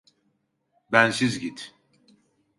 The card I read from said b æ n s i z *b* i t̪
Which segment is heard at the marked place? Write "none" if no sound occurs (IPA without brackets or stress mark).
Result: ɟ